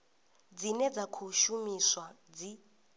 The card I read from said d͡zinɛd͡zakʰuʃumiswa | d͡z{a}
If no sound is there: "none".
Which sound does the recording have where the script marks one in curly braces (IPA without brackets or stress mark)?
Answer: i